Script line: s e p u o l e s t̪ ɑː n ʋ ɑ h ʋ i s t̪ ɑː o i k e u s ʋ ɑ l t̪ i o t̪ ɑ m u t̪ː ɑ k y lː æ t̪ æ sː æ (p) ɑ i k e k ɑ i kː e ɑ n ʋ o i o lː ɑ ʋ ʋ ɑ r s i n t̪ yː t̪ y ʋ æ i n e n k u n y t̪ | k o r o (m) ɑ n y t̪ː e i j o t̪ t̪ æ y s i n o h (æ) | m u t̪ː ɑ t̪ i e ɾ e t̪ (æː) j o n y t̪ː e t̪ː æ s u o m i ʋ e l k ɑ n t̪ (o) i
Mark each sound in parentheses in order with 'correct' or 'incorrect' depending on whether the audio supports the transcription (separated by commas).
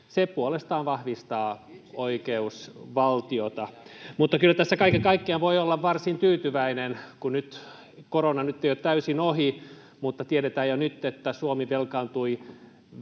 incorrect, incorrect, incorrect, correct, incorrect